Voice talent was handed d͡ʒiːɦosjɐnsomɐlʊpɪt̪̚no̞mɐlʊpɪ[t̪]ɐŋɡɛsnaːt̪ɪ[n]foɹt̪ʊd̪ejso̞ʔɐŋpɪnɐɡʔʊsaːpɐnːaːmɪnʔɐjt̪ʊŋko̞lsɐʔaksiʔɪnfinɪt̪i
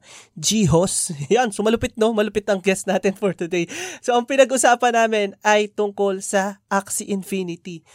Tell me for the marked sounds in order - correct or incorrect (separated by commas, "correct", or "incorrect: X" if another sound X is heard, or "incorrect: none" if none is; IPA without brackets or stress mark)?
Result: correct, correct